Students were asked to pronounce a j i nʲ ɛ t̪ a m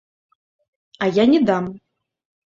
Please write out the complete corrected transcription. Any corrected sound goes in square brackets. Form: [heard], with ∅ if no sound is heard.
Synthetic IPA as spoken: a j [a] nʲ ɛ [d̪] a m